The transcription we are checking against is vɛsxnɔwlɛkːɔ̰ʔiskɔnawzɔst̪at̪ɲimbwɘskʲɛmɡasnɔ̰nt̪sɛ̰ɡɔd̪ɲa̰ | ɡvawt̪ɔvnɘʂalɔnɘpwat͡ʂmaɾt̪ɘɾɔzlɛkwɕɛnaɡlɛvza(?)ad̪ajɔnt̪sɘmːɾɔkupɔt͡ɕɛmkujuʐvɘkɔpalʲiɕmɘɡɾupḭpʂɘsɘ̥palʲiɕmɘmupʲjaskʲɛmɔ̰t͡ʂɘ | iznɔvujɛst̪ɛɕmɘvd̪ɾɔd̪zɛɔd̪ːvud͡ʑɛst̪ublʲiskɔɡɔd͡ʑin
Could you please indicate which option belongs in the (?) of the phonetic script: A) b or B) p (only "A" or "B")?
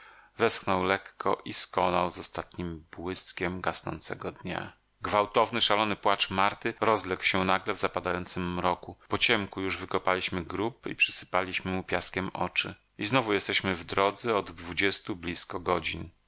B